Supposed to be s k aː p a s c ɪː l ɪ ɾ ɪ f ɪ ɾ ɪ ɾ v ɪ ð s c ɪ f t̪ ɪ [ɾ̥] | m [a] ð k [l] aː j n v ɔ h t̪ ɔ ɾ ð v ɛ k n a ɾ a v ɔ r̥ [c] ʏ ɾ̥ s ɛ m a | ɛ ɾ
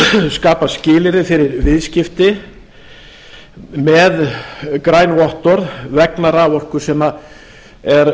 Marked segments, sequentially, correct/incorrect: incorrect, incorrect, incorrect, incorrect

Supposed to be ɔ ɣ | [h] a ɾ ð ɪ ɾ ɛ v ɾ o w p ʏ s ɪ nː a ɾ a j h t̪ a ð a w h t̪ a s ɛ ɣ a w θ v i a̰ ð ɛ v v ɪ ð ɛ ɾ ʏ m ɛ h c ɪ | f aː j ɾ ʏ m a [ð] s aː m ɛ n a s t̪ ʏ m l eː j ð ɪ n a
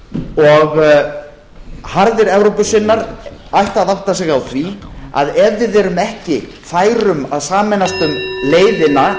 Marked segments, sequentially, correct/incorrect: correct, correct

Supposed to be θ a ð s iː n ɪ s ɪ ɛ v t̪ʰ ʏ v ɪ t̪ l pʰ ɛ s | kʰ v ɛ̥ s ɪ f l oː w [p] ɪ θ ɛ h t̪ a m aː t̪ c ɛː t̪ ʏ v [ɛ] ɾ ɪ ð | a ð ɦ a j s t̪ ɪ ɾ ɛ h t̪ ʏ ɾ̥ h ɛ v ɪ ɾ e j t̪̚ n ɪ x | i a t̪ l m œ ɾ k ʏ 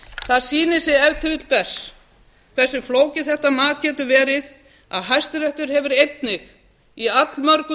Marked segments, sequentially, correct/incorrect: incorrect, incorrect

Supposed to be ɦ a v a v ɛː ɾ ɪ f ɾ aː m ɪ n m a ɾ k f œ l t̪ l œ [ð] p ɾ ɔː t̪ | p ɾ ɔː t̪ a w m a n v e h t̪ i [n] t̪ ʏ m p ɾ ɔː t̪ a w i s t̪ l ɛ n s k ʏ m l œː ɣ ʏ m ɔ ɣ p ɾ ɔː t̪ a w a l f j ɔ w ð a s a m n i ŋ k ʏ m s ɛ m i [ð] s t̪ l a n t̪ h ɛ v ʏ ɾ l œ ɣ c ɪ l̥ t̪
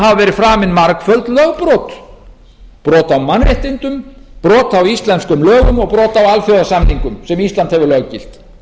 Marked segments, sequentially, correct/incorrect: incorrect, correct, incorrect

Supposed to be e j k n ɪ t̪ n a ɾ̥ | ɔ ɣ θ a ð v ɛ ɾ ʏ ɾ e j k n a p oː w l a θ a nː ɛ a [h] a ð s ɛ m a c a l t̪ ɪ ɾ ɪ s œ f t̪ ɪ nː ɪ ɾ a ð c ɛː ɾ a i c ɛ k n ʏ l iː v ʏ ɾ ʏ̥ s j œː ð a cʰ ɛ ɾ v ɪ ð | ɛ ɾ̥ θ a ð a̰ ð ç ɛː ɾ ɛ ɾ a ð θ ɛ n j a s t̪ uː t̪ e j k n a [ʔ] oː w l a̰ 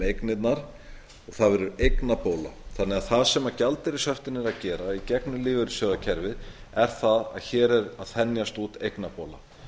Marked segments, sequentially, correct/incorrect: incorrect, incorrect

